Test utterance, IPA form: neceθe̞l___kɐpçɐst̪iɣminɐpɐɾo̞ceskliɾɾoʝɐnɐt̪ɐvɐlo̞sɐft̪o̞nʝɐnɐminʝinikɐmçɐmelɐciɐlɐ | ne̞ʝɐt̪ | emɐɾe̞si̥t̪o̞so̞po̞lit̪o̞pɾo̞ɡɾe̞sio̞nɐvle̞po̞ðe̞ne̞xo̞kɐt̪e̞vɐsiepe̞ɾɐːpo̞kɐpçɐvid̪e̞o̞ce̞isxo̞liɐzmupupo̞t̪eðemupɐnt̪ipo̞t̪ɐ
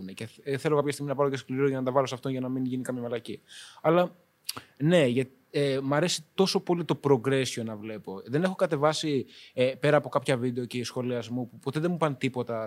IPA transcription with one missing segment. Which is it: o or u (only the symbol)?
o